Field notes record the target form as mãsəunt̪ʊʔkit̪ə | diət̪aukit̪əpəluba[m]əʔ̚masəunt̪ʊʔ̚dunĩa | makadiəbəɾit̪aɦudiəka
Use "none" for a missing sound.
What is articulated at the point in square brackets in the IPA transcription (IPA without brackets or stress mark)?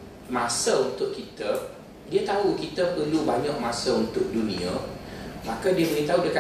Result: ɲ